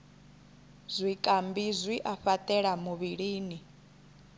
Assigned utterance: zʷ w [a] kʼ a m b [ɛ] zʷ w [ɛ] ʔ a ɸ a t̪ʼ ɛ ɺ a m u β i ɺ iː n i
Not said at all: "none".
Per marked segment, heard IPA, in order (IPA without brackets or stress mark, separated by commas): i, i, i